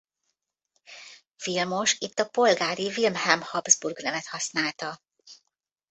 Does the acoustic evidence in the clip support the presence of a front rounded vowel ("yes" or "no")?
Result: no